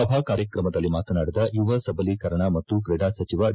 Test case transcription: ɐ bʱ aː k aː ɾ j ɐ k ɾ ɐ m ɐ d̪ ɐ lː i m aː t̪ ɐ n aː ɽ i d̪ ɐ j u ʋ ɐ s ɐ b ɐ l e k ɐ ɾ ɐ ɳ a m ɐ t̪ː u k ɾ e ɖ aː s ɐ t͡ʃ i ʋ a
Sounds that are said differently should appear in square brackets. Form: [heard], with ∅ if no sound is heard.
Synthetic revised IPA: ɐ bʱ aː k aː ɾ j ɐ k ɾ ɐ m ɐ d̪ ɐ lː i m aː t̪ ɐ n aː ɽ i d̪ ɐ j u ʋ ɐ s ɐ b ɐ l [i] k ɐ ɾ ɐ ɳ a m ɐ t̪ː u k ɾ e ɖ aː s ɐ t͡ʃ i ʋ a